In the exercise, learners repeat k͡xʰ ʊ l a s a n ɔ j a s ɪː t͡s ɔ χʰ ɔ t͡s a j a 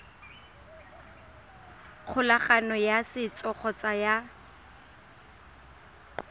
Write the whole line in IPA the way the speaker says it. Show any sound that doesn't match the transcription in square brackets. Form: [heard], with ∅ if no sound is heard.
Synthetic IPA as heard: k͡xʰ ʊ l a [χ] a n ɔ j a s [ɪ] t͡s ɔ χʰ ɔ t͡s a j a